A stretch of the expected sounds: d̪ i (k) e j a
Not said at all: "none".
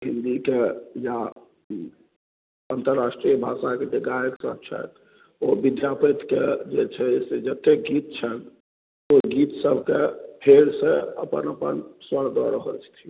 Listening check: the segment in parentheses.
k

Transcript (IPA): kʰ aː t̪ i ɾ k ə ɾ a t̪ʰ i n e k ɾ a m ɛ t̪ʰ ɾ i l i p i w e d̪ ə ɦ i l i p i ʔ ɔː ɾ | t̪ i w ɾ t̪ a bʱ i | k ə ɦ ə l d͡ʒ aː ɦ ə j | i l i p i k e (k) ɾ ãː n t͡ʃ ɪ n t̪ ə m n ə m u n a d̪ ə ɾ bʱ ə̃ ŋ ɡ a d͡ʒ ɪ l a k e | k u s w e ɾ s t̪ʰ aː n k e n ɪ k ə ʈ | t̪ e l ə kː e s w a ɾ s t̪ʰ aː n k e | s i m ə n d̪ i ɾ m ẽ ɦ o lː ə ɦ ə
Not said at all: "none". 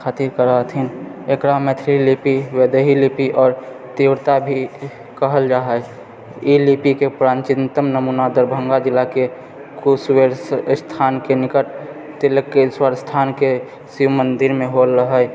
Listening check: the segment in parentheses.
p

